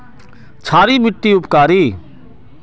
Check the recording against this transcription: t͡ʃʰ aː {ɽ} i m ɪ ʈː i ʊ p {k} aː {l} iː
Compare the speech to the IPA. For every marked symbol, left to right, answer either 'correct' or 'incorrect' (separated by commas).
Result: incorrect, correct, incorrect